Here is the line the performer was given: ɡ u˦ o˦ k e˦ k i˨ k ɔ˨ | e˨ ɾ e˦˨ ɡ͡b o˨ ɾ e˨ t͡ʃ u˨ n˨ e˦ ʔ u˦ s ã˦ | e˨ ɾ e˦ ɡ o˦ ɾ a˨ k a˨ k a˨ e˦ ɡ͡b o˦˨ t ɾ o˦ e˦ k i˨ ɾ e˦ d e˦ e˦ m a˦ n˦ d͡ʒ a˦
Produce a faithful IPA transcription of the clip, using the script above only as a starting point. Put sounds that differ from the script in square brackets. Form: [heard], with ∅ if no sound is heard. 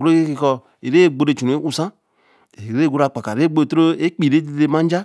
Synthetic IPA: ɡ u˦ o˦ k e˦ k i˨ k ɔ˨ | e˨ ɾ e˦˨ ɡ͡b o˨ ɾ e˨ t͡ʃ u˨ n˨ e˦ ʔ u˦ s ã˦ | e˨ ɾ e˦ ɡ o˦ ɾ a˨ [k͡p] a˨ k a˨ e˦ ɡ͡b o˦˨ t ɾ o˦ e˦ [k͡p] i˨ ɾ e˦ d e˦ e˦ m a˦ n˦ d͡ʒ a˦